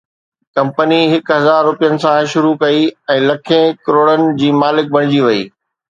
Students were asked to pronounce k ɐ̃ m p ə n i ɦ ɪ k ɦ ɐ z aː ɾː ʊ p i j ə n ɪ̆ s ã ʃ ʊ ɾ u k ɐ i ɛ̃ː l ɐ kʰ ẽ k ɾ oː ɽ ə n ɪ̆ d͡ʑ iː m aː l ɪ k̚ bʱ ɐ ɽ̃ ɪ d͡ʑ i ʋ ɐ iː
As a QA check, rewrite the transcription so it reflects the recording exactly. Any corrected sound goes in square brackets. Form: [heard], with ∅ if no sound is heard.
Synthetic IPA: k ɐ̃ m p ə n i ɦ ɪ k ɦ ɐ z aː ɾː ʊ p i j ə n ɪ̆ s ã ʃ ʊ ɾ u k ɐ i ɛ̃ː l ɐ kʰ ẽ k ɾ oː ɽ ə n ɪ̆ d͡ʑ iː m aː l ɪ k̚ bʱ ɐ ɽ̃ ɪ d͡ʑ i ʋ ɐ iː